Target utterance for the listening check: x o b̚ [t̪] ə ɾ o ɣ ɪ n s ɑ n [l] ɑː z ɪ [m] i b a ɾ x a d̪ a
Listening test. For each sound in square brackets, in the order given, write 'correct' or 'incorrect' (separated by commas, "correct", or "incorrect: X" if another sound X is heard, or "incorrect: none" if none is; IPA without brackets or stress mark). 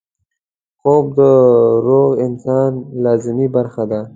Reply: incorrect: d̪, correct, correct